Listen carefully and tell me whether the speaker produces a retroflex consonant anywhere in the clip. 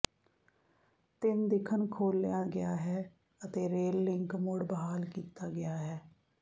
yes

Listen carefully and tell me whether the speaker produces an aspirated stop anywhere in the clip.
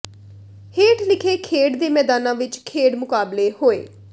yes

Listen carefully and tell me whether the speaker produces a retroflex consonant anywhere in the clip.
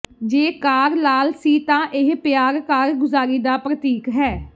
no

